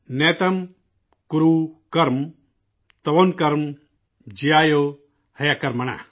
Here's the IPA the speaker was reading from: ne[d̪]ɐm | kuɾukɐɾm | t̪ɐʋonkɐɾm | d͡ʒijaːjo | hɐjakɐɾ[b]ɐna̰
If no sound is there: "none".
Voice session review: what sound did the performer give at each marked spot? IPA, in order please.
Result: t̪, m

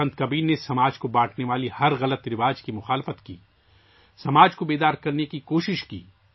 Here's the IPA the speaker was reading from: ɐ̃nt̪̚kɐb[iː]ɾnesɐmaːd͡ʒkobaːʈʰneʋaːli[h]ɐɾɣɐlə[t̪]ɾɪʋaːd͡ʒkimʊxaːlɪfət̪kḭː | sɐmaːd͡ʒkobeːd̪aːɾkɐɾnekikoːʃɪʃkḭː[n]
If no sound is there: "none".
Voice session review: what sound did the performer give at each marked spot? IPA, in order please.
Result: iː, h, t̪, none

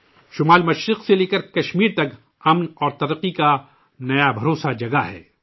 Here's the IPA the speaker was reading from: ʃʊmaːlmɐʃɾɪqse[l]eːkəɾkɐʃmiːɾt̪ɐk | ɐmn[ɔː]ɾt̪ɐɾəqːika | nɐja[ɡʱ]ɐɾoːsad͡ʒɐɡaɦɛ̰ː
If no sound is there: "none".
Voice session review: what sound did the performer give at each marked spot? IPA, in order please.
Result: l, ɔː, bʱ

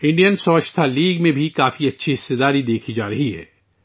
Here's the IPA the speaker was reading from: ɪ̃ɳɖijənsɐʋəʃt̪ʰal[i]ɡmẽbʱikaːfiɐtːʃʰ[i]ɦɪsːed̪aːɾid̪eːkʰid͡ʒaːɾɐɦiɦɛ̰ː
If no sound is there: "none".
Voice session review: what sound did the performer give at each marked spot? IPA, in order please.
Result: iː, i

